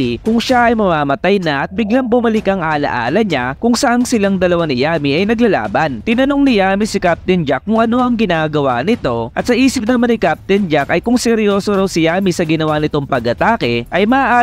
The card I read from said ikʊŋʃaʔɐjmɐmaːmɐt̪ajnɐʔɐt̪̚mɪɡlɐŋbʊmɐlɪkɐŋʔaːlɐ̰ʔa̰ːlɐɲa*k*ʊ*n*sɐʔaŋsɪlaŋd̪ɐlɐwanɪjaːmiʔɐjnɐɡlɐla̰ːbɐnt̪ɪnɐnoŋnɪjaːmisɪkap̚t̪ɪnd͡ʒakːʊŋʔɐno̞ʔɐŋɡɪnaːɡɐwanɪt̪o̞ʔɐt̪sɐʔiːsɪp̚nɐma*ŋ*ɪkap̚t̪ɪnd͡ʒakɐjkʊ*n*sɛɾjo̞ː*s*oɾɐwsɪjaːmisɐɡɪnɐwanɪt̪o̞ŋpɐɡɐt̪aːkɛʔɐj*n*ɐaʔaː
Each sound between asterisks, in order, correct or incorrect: correct, incorrect, incorrect, incorrect, correct, incorrect

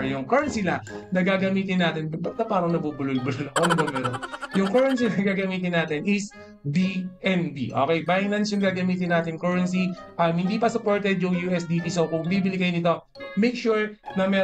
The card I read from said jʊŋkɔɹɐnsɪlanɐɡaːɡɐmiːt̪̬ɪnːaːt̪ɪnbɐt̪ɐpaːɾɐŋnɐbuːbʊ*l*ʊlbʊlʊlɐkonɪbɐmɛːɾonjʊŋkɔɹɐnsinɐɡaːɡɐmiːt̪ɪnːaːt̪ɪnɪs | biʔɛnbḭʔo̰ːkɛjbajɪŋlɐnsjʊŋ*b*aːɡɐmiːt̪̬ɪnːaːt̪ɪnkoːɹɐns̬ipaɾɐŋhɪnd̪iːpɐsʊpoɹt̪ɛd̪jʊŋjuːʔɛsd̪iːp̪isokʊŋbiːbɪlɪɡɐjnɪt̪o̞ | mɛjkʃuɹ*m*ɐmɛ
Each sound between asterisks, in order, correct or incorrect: correct, incorrect, incorrect

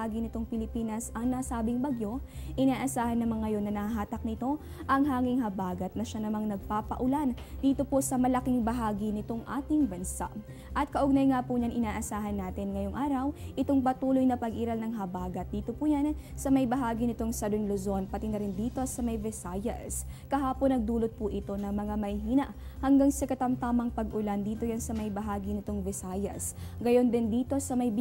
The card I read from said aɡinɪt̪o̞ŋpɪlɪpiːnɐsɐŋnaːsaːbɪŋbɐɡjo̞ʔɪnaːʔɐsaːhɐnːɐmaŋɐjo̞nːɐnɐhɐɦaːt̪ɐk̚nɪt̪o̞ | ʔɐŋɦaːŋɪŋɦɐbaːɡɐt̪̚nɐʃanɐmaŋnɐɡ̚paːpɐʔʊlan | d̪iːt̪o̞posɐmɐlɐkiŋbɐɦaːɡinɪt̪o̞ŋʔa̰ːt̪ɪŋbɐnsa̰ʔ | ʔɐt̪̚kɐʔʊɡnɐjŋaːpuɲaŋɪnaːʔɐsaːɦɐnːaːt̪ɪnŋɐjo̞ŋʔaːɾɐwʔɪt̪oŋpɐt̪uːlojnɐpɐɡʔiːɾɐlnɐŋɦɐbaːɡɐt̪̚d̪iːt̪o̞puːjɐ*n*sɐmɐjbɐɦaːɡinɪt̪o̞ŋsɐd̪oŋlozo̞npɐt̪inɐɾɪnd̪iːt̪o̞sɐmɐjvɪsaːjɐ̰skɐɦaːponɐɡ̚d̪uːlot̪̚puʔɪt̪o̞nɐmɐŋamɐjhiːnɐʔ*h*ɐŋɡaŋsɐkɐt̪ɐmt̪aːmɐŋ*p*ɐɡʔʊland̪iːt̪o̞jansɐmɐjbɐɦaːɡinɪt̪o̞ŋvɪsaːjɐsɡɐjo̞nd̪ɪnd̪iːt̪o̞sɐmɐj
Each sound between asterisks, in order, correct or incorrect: correct, correct, correct

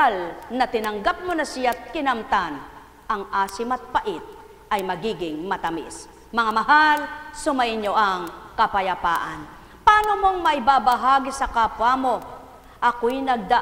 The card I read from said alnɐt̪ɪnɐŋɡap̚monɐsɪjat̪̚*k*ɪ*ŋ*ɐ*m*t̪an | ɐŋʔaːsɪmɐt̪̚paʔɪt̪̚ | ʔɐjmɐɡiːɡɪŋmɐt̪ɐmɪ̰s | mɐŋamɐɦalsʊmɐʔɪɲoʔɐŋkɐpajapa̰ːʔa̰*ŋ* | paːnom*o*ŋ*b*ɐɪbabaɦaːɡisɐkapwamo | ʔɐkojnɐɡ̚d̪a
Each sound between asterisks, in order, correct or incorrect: correct, incorrect, correct, incorrect, correct, incorrect

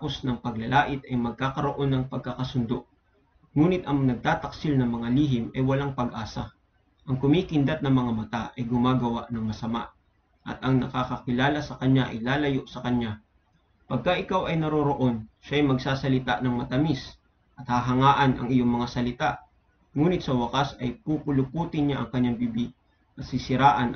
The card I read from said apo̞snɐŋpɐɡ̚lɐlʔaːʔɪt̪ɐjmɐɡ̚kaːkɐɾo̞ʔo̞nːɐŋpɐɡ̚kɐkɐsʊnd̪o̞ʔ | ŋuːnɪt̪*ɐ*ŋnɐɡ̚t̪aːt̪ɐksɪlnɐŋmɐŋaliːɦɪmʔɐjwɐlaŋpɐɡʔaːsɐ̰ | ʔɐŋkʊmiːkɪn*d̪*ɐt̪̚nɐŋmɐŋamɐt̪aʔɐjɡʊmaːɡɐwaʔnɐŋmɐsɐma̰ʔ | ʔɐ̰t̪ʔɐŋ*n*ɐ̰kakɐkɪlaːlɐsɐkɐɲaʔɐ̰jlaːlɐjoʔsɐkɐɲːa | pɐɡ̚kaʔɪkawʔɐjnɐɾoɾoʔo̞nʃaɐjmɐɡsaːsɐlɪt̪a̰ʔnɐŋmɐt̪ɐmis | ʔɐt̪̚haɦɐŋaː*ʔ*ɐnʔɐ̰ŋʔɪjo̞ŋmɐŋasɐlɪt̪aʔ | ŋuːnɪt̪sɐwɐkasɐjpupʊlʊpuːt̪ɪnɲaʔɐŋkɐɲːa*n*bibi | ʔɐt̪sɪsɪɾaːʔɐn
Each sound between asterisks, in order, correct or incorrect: correct, correct, correct, correct, incorrect

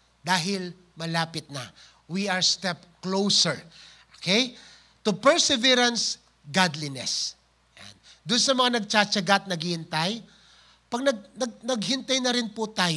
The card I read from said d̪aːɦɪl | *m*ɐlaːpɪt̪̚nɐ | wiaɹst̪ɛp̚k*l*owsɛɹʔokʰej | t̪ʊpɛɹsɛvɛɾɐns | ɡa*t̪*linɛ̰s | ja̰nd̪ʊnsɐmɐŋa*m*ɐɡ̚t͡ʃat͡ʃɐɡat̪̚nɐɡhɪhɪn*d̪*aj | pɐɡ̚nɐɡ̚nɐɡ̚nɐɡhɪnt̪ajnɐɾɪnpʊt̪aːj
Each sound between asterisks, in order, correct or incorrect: correct, correct, incorrect, incorrect, incorrect

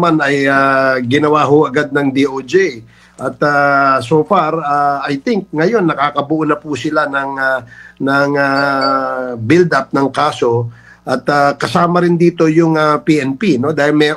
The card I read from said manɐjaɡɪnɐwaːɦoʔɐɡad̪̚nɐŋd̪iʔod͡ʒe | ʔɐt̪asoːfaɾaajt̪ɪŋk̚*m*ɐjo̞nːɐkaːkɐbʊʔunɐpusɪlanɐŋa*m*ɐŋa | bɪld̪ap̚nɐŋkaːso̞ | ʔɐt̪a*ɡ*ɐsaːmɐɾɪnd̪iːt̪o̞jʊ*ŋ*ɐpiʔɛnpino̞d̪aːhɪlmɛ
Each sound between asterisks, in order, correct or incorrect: incorrect, incorrect, incorrect, correct

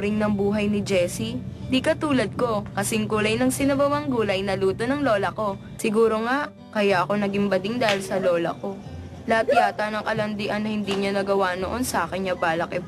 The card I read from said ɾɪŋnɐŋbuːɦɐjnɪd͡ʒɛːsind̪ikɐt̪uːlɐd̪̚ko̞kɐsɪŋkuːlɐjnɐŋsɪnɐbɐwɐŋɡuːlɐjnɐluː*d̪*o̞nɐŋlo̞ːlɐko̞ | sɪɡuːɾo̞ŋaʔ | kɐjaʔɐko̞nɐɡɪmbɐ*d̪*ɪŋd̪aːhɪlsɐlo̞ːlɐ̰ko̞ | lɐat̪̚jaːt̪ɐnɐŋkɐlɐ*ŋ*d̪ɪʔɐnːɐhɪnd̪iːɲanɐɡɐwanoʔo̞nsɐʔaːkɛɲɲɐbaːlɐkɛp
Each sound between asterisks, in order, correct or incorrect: incorrect, correct, incorrect

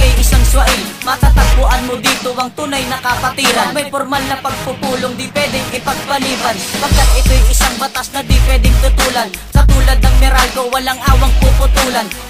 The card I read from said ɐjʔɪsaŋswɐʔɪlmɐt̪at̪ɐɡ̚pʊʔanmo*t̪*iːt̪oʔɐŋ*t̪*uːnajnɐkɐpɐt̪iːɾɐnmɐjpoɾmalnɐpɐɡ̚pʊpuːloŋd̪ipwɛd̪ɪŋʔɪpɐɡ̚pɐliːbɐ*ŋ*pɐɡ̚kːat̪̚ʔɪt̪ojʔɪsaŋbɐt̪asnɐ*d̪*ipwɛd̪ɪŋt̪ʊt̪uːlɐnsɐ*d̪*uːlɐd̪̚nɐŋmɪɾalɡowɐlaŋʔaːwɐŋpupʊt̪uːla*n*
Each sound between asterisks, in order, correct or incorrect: incorrect, correct, incorrect, correct, incorrect, correct

